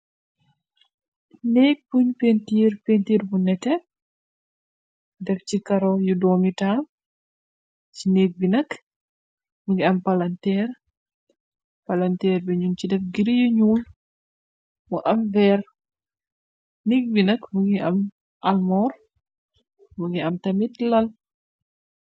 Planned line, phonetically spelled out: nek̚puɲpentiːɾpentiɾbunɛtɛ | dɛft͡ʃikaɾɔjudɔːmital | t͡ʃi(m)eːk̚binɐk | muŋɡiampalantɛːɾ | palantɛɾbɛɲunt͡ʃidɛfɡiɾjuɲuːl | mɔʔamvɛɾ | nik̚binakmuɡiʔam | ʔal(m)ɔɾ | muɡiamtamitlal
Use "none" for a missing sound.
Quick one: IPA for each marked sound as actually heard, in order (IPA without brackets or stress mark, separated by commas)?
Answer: n, m